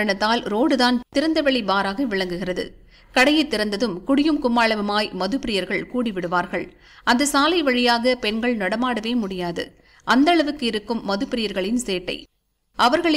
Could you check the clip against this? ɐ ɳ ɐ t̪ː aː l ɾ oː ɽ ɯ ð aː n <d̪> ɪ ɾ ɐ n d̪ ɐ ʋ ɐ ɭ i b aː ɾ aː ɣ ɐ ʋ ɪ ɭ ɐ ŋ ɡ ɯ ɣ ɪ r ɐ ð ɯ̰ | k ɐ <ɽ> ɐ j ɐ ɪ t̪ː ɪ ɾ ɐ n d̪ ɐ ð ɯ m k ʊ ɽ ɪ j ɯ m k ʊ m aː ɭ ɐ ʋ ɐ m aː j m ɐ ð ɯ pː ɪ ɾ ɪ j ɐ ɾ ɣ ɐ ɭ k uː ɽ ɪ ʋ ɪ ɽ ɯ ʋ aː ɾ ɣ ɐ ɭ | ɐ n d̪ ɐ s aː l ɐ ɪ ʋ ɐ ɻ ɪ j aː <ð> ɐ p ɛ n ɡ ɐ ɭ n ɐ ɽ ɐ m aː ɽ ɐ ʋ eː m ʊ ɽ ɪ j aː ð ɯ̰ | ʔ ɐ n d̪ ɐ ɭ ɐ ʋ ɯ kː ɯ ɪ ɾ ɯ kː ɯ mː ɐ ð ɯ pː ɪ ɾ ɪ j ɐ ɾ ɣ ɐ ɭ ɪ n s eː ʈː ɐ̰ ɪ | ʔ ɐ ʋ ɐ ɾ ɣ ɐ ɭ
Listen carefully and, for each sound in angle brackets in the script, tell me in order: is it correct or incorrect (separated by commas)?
incorrect, correct, incorrect